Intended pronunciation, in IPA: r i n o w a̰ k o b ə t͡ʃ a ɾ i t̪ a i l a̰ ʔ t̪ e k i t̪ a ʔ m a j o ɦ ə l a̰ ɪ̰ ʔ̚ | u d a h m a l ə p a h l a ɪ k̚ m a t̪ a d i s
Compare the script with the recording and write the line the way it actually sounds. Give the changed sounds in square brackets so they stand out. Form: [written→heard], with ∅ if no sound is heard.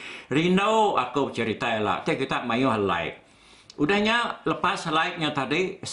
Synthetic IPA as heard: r i n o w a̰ k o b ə t͡ʃ [a→ə] ɾ i t̪ a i l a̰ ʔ t̪ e k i t̪ a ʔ m a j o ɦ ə l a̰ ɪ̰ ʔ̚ | u d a h [m→ɲ] a l ə p a [h→s] l a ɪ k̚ [m→ɲ] a t̪ a d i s